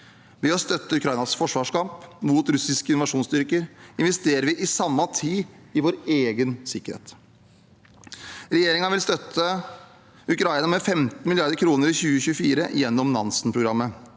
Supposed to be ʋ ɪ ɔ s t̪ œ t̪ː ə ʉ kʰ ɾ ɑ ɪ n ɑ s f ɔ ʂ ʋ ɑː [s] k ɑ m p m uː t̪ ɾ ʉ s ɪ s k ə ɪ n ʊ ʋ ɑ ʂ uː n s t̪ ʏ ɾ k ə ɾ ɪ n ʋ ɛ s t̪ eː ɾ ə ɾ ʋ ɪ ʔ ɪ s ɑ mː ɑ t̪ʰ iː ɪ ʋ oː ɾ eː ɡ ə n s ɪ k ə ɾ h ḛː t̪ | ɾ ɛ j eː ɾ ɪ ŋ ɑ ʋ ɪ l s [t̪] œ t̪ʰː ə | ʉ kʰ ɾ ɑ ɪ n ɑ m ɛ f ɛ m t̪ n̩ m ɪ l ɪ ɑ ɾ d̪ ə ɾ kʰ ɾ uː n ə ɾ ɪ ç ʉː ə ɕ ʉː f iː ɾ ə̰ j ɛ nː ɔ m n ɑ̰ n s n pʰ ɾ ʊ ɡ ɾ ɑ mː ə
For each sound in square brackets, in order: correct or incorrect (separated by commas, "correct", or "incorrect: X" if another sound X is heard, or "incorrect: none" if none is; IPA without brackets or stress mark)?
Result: incorrect: ʂ, correct